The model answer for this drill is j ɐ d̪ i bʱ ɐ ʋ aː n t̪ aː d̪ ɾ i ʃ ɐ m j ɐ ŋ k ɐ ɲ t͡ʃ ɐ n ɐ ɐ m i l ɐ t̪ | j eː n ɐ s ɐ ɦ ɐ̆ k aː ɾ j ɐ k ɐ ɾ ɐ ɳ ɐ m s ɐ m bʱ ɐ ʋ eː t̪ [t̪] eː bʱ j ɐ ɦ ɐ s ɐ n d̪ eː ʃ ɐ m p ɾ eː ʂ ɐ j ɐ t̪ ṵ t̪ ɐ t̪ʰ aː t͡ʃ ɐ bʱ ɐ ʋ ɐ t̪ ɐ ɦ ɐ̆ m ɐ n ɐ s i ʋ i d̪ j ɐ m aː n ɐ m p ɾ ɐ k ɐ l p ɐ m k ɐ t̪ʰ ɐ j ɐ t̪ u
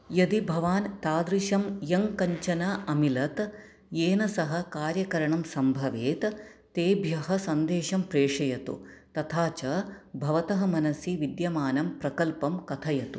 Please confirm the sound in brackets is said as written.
yes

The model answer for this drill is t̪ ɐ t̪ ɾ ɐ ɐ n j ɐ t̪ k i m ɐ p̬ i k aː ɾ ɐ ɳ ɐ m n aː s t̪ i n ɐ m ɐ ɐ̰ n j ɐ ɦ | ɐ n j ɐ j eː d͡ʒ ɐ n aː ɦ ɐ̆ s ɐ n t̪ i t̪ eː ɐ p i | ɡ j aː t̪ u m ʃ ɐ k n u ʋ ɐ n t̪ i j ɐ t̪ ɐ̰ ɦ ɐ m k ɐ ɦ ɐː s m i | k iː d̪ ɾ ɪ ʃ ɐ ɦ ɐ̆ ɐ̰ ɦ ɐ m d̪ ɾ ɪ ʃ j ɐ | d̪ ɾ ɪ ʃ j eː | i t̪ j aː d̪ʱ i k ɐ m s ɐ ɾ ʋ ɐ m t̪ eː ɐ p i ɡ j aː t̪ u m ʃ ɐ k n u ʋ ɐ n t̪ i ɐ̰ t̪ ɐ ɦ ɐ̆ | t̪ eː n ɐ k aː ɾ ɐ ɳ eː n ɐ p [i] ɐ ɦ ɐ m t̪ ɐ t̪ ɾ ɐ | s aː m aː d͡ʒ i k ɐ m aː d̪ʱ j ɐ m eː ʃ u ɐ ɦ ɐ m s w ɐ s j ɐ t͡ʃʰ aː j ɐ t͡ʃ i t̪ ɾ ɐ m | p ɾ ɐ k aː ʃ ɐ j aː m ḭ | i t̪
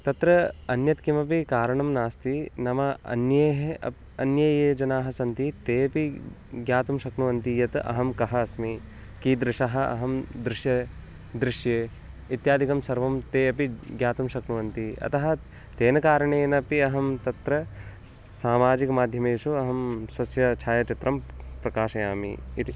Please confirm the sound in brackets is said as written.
yes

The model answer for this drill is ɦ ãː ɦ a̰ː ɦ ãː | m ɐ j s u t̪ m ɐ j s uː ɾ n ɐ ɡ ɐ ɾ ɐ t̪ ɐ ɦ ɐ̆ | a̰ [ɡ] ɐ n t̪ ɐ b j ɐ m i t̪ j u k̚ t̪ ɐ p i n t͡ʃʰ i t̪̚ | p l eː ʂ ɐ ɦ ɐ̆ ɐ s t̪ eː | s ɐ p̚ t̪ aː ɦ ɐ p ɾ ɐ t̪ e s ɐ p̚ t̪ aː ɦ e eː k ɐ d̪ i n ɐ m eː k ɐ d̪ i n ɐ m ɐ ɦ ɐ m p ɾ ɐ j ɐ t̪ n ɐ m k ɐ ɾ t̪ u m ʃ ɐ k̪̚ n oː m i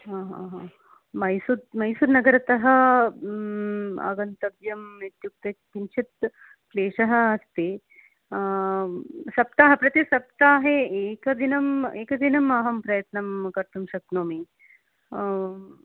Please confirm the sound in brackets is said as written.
yes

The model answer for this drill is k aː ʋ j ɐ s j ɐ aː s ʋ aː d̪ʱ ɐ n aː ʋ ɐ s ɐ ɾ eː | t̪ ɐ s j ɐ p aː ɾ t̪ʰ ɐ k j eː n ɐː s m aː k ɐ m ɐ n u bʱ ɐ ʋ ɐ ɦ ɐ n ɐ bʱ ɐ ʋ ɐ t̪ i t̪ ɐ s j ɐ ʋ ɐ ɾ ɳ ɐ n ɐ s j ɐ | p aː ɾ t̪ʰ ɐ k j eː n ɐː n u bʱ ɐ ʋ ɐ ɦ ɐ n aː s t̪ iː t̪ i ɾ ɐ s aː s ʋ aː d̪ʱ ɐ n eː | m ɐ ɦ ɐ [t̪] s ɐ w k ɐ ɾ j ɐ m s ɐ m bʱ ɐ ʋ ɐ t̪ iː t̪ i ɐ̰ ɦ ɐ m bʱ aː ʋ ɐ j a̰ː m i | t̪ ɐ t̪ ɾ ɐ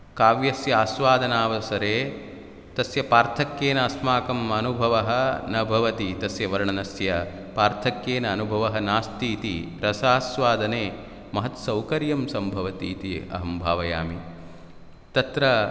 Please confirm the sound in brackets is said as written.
yes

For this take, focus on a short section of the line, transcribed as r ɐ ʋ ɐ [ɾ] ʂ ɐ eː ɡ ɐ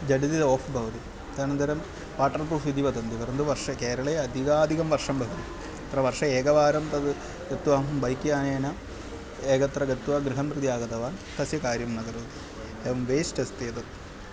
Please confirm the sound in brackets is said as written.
no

